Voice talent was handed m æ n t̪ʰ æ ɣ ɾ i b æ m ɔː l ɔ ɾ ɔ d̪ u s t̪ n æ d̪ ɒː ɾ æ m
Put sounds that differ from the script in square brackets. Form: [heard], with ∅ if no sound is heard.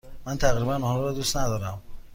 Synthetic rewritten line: m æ n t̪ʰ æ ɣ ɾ i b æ [n] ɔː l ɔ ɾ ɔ d̪ u s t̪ n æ d̪ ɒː ɾ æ m